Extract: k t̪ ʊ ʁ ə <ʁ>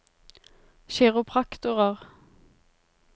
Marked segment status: correct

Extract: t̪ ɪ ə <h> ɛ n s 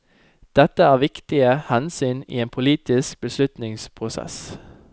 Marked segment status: correct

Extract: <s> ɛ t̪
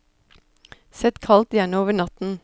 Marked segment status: correct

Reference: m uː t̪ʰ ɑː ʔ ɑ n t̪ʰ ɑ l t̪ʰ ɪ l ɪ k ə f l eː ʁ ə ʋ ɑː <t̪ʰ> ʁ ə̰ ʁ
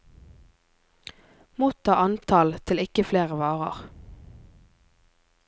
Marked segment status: incorrect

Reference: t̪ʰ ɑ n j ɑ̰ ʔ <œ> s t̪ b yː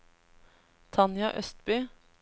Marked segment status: correct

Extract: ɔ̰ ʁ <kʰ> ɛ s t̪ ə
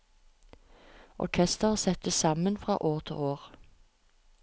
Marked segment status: correct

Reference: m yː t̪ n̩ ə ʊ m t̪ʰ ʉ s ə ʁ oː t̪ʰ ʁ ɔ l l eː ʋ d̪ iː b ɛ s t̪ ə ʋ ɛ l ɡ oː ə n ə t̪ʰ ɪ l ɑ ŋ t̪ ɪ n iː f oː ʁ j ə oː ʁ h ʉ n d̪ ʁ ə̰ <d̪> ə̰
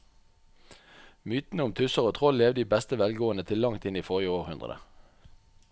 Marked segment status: correct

